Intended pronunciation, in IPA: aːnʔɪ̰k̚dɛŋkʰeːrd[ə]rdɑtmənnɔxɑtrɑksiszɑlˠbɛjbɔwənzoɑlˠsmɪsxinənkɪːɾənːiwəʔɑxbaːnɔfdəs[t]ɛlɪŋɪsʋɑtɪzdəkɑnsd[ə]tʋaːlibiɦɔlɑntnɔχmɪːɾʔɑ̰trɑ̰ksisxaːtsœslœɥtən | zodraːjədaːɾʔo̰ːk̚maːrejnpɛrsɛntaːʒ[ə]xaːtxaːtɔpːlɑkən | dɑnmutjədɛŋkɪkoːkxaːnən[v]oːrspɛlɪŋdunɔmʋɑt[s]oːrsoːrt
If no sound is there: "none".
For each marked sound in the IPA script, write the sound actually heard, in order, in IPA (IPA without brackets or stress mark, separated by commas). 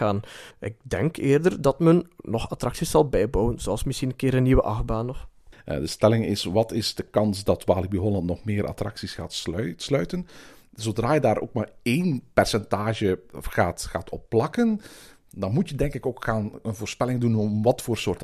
ə, t, ɑ, ə, v, f